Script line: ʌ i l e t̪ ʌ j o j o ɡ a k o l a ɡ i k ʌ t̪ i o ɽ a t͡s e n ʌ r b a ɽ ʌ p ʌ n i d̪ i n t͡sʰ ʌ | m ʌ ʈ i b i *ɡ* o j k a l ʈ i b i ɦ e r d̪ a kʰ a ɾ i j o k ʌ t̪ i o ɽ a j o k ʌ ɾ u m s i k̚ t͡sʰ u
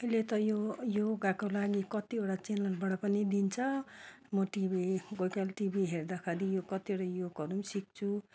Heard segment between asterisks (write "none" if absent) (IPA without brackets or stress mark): ɡ